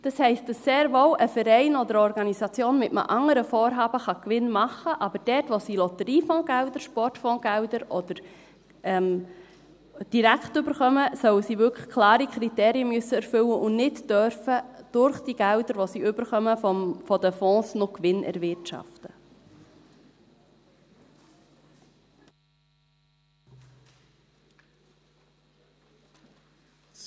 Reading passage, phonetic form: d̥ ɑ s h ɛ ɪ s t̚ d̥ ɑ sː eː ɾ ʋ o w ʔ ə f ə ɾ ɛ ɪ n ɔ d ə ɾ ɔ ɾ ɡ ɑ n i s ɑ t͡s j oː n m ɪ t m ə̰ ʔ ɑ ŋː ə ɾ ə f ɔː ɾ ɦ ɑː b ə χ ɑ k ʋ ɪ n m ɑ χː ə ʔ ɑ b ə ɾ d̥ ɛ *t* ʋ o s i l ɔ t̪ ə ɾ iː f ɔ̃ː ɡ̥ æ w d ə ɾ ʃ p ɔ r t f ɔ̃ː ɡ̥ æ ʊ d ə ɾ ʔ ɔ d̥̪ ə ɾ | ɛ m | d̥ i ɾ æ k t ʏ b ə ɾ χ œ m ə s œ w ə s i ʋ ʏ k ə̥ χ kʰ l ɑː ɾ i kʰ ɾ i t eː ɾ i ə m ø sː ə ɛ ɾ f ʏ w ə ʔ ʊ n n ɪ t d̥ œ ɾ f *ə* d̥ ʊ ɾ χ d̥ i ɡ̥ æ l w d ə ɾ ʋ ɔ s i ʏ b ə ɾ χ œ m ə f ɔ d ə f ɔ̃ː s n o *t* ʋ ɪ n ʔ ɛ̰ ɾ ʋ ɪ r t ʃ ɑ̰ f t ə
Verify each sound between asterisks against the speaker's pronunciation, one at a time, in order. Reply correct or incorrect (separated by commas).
correct, correct, incorrect